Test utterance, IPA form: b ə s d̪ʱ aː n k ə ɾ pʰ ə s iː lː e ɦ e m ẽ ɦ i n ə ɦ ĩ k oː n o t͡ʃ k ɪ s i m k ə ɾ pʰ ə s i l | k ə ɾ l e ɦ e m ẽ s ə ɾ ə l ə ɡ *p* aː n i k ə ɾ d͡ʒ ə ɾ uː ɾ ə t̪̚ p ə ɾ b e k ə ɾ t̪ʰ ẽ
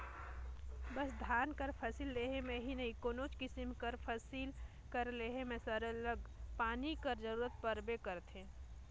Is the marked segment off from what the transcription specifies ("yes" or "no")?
no